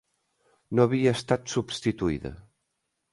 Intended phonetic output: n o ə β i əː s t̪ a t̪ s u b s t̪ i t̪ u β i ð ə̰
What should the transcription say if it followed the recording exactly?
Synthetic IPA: n o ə β i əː s t̪ a t̪ s u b s t̪ i t̪ u i ð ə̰